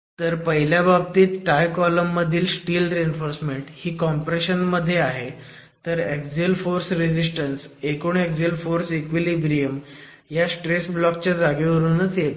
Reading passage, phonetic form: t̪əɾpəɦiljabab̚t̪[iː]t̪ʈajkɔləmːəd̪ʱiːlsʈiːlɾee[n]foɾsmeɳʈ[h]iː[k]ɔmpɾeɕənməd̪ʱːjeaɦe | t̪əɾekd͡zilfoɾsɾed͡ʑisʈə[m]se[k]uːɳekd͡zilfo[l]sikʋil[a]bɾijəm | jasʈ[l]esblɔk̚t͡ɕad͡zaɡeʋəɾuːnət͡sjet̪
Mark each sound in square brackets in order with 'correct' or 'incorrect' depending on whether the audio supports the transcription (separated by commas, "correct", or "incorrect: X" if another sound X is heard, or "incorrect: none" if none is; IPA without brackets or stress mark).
correct, correct, correct, correct, incorrect: n, correct, incorrect: ɾ, incorrect: i, incorrect: ɾ